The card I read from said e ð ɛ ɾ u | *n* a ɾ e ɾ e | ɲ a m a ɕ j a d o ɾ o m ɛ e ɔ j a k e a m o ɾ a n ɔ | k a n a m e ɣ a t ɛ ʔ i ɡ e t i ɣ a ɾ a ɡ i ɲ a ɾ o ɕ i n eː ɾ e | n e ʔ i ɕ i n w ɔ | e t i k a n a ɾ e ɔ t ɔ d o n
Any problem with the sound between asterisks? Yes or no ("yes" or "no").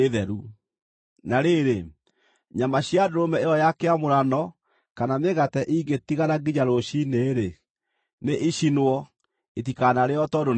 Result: no